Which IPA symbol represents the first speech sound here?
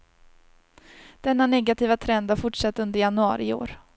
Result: d̪̥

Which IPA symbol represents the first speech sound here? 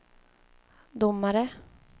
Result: d̪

